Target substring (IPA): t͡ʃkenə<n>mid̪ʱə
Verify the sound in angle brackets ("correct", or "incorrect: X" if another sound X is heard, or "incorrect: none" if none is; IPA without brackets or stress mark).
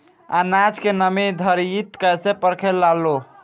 incorrect: none